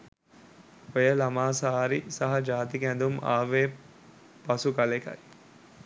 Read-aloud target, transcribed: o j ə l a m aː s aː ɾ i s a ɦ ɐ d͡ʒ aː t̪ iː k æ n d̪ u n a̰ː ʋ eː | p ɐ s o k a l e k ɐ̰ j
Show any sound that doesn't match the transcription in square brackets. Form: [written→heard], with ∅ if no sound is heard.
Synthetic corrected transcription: o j ə l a m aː s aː ɾ i s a ɦ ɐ d͡ʒ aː t̪ [iː→i] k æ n d̪ u [n→m] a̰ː ʋ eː | p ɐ s [o→u] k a l e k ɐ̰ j